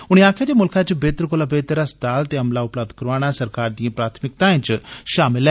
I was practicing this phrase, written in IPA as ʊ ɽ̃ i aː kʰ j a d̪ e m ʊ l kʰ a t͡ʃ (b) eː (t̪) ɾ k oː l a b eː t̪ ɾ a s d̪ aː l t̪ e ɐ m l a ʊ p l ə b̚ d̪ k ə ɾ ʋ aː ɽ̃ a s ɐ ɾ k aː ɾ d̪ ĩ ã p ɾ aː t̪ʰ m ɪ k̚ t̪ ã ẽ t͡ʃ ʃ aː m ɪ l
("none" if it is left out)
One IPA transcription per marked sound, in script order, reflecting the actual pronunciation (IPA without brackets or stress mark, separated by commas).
b, t̪